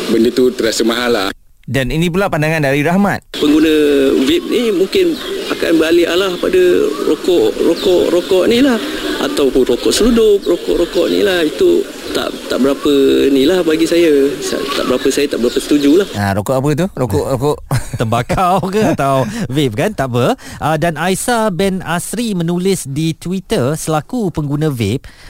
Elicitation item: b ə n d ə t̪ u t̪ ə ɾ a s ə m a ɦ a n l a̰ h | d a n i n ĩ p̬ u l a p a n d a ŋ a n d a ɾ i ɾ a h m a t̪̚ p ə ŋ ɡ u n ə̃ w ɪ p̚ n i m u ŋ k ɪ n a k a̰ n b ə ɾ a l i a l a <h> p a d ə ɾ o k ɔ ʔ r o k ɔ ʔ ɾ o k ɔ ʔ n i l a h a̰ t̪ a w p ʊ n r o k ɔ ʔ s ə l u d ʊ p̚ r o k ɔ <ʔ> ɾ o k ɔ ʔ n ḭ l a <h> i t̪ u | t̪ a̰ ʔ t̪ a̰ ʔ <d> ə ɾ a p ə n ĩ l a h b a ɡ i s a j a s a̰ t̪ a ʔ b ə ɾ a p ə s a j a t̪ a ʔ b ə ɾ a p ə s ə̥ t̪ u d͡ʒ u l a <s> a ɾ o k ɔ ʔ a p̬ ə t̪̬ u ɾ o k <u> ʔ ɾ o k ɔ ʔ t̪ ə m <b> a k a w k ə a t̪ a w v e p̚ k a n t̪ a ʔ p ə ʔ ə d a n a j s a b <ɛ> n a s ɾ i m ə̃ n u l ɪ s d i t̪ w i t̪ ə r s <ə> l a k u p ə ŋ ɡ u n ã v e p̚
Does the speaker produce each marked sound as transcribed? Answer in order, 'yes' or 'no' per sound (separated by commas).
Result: yes, yes, yes, no, no, no, yes, yes, yes